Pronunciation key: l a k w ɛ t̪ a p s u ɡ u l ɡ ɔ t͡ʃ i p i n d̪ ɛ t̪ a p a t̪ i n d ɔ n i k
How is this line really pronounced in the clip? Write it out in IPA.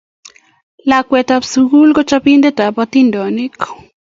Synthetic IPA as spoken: l a k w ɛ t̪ a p s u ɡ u l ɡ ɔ t͡ʃ a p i n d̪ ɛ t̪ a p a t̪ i n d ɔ n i k